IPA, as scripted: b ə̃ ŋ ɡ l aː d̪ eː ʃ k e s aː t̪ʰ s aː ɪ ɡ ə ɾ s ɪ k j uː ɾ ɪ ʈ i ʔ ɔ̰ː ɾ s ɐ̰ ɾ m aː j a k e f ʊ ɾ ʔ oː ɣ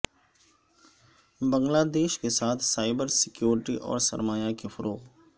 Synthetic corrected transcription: b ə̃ ŋ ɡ l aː d̪ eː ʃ k e s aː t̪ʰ s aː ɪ b ə ɾ s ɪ k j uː ɾ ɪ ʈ i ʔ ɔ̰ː ɾ s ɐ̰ ɾ m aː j a k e f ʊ ɾ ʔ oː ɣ